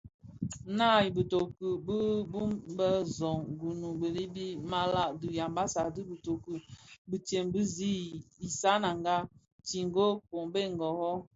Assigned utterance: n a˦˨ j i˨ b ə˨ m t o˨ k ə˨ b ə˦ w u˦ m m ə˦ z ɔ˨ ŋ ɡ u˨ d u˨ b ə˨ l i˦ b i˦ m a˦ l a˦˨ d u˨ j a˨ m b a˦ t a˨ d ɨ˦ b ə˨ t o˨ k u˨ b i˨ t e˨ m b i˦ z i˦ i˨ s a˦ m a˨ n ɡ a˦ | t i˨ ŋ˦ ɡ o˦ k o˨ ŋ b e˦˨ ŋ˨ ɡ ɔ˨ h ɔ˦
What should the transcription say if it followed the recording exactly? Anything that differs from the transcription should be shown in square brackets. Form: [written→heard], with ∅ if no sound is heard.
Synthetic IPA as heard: n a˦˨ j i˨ b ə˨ [m→∅] t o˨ k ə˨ b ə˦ [w→b] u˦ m [m→b] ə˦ z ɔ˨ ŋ ɡ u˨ [d→n] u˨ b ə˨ l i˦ b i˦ m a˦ l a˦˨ d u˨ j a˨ m b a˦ [t→s] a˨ d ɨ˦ b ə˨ t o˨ k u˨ b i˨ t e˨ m b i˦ z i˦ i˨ s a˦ [m→n] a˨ [n→ŋ] ɡ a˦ | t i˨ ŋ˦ ɡ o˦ k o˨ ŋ b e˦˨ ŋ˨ ɡ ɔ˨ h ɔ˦